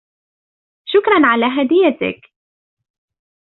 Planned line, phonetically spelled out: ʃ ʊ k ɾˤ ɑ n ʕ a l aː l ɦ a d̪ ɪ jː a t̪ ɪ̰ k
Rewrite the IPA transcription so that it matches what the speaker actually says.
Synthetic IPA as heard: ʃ ʊ k ɾˤ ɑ n ʕ a l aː ɦ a d̪ ɪ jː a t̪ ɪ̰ k